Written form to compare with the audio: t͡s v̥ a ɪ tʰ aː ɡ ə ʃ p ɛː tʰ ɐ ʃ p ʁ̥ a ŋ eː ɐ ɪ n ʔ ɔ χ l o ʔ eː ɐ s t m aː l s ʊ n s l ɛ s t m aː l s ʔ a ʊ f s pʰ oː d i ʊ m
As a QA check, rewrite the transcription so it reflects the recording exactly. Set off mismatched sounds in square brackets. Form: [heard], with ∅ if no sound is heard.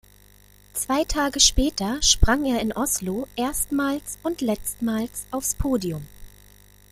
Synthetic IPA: t͡s v̥ a ɪ tʰ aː ɡ ə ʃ p ɛː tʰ ɐ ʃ p ʁ̥ a ŋ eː ɐ ɪ n ʔ ɔ [s] l o ʔ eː ɐ s t m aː l s ʊ n [t] l ɛ [t͡s] t m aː l s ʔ a ʊ f s pʰ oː d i ʊ m